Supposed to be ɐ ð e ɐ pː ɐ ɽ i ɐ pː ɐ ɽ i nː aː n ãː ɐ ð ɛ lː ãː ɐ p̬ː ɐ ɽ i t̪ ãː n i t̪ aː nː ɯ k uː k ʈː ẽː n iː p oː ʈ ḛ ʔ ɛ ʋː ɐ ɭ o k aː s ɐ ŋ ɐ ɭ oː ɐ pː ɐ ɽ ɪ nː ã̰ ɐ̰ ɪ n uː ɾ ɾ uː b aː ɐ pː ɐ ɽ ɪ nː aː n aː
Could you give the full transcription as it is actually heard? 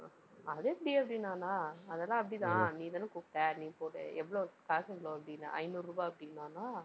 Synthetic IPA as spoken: ɐ ð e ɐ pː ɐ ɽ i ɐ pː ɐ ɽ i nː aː n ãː ɐ ð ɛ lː ãː ɐ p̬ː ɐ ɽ i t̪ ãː n iː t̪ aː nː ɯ k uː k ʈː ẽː n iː p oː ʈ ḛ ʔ ɛ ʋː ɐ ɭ o k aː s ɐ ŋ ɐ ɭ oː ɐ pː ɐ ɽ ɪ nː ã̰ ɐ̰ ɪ n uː ɾ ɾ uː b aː ɐ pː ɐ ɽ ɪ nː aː n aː